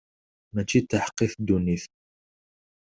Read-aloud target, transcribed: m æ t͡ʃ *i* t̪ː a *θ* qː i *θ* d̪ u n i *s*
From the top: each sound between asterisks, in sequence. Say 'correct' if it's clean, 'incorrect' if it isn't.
correct, incorrect, correct, incorrect

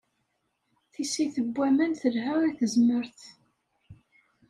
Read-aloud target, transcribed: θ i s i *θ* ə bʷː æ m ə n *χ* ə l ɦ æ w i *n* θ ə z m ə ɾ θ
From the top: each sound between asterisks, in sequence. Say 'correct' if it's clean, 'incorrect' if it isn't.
correct, incorrect, incorrect

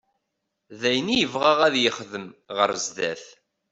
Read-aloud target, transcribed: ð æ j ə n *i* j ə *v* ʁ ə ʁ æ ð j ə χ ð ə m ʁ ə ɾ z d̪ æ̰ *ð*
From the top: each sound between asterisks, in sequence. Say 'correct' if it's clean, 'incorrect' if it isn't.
correct, correct, incorrect

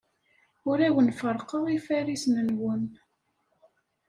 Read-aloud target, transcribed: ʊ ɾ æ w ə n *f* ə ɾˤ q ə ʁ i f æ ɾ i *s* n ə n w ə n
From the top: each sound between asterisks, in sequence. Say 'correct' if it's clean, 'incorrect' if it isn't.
correct, correct

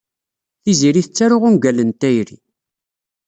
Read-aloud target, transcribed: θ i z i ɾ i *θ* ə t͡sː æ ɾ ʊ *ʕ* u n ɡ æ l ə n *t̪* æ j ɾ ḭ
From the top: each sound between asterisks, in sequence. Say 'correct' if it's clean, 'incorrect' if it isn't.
correct, incorrect, correct

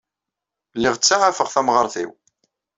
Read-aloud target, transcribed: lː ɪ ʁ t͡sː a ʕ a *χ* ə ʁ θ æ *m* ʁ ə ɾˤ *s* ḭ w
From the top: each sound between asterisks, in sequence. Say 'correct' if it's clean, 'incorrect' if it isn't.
incorrect, correct, incorrect

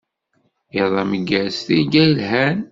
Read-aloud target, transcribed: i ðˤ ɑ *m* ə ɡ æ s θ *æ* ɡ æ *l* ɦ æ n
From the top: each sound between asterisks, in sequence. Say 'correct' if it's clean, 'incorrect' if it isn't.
correct, incorrect, correct

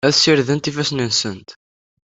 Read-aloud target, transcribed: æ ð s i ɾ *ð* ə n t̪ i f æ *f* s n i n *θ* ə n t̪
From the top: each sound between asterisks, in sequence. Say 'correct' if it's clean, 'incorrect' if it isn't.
correct, incorrect, incorrect

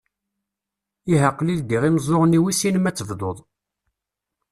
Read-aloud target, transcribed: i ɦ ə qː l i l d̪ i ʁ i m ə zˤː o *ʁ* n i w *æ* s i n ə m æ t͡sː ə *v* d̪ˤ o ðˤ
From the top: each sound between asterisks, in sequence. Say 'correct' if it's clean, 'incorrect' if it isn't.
correct, incorrect, correct

